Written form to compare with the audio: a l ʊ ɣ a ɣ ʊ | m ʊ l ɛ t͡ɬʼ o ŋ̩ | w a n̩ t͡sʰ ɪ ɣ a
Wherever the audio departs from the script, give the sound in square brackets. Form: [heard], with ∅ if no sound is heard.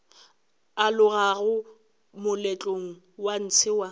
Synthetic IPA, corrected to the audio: a l ʊ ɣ a ɣ ʊ | m ʊ l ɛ t͡ɬʼ o ŋ̩ | w a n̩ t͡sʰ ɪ [w] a